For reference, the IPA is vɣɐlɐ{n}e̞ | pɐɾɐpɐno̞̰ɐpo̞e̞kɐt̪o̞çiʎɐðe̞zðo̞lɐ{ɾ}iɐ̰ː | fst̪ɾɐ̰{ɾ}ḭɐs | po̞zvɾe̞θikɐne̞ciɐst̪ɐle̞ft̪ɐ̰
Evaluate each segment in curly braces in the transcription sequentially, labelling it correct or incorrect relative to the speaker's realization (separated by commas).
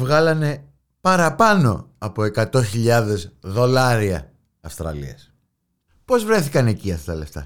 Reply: correct, correct, incorrect